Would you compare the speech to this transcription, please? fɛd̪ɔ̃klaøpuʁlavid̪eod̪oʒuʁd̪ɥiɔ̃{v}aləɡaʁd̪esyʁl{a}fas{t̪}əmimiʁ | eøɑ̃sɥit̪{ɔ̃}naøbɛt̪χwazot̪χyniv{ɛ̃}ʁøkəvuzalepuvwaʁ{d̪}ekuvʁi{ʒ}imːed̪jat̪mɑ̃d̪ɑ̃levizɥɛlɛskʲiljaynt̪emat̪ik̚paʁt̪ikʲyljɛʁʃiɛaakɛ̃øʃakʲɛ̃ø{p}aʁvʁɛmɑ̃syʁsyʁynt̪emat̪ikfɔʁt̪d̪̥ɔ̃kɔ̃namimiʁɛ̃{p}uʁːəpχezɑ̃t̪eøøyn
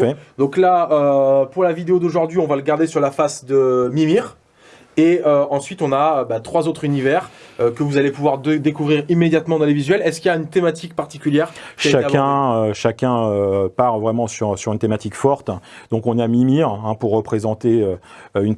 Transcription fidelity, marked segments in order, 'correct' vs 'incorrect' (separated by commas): correct, correct, incorrect, correct, incorrect, correct, incorrect, correct, correct